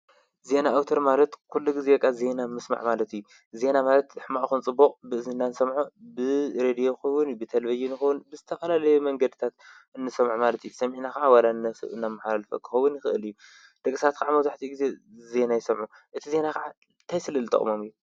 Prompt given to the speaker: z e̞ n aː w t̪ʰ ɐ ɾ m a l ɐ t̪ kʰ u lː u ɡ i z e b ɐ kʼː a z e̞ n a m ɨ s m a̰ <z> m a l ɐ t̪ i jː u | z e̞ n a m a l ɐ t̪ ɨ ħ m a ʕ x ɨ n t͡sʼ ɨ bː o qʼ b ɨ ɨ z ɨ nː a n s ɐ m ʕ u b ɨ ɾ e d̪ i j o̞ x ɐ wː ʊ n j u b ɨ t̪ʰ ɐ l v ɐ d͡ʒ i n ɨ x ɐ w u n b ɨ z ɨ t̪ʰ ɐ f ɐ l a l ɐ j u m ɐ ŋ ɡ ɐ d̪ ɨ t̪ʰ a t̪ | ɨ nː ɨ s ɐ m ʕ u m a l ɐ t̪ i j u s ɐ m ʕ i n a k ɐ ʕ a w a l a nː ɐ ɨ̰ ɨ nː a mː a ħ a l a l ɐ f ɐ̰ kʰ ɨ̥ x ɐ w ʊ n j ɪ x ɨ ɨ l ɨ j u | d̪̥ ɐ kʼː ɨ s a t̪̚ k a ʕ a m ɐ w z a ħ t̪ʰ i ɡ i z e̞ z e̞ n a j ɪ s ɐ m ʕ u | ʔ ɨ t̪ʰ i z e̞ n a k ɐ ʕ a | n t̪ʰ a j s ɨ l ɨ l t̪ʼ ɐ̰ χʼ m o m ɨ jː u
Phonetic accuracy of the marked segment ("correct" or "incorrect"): incorrect